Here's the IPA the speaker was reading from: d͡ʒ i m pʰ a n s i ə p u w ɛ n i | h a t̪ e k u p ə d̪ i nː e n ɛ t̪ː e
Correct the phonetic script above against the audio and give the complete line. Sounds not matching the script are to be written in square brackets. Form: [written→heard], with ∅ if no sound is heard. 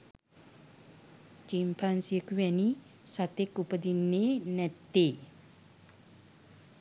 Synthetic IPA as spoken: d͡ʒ i m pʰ a n s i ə [p→k] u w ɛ n i | [h→s] a t̪ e k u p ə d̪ i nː e n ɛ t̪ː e